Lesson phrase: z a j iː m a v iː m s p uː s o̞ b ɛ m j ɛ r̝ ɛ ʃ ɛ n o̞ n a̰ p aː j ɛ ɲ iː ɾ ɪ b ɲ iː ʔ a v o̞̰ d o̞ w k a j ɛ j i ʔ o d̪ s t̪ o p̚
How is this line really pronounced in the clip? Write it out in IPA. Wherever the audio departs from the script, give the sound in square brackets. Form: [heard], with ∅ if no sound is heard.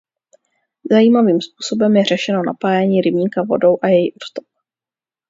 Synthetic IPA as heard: z a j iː m a v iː m s p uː s o̞ b ɛ m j ɛ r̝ ɛ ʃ ɛ n o̞ n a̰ p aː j ɛ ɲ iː ɾ ɪ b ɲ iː [k] a v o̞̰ d o̞ w [ʔ] a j ɛ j i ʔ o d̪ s t̪ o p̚